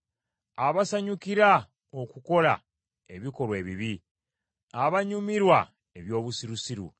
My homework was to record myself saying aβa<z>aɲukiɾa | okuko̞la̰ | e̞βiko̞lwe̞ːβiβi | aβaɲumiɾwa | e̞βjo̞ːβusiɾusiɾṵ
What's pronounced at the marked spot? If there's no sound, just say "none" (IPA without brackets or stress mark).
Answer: s